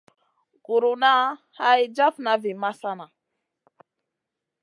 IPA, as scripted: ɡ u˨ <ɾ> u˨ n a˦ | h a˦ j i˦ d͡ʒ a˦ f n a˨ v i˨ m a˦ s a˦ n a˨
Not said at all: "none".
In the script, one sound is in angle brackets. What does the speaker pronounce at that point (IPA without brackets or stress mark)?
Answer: ɾ